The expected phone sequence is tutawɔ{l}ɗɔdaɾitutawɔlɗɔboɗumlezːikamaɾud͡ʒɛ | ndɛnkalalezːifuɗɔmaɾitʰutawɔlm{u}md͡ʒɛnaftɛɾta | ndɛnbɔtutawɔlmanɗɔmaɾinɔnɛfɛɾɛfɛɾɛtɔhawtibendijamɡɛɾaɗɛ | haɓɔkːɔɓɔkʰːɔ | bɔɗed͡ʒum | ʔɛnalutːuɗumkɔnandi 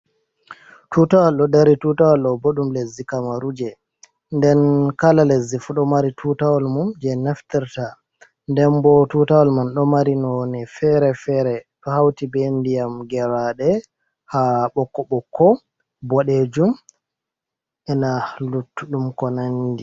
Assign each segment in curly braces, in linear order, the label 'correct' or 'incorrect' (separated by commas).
correct, correct